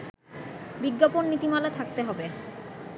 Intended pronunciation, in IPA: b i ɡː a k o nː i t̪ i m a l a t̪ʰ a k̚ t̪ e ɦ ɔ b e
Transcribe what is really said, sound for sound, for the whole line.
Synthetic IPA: b i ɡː a p o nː i t̪ i m a l a t̪ʰ a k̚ t̪ e ɦ ɔ b e

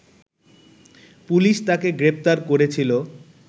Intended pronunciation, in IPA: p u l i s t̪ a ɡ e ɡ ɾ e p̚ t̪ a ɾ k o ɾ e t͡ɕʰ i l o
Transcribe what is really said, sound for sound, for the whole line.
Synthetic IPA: p u l i ʃ t̪ a k e ɡ ɾ e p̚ t̪ a ɾ k o ɾ e t͡ɕʰ i l o

